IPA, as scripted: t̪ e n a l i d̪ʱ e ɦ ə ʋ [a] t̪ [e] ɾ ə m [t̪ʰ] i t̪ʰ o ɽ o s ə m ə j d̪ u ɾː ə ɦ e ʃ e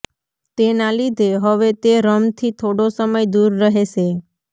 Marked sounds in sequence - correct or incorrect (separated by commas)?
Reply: incorrect, correct, correct